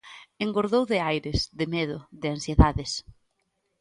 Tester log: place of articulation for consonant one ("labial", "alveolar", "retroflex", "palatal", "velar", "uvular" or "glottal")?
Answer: velar